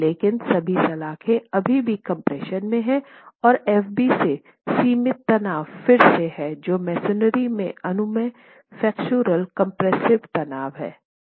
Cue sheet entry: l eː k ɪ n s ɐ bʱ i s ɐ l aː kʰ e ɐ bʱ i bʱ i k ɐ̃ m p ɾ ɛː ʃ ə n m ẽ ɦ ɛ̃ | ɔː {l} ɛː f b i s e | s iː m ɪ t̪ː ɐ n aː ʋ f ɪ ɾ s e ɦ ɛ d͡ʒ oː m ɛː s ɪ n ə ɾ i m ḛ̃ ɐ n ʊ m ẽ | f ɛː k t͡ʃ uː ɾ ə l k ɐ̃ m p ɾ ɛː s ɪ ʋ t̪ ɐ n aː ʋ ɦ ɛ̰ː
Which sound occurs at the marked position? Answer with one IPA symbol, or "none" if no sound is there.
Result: ɾ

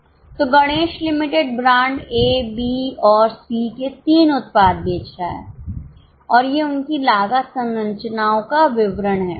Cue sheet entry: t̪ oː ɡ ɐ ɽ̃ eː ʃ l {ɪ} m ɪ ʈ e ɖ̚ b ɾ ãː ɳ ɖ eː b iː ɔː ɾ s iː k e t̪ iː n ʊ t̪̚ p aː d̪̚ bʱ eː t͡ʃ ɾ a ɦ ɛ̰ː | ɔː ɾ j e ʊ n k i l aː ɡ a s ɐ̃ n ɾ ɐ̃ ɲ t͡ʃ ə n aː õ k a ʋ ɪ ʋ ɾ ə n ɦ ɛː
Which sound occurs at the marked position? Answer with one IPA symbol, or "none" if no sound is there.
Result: ɪ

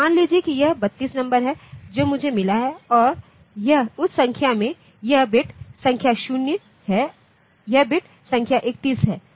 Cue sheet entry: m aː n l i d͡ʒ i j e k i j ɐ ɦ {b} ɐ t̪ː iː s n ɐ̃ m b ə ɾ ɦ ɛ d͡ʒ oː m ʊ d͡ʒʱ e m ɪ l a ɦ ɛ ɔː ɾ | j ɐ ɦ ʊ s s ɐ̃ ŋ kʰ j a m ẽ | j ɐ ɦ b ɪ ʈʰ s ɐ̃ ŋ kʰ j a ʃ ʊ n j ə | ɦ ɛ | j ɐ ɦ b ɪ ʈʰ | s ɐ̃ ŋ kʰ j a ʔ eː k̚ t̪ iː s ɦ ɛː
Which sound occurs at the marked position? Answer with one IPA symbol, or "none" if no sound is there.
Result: b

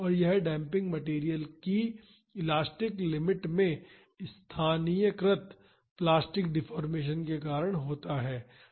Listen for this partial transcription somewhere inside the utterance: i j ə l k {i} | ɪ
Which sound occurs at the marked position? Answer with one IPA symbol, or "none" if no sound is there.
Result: i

